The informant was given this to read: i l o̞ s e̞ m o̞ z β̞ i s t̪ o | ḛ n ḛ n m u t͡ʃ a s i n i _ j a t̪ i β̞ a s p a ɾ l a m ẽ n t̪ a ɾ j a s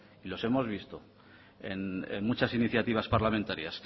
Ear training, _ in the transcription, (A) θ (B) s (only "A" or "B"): A